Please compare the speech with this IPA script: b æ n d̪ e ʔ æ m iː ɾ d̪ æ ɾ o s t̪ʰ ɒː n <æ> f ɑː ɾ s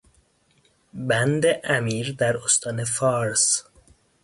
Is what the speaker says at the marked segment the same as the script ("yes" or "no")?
no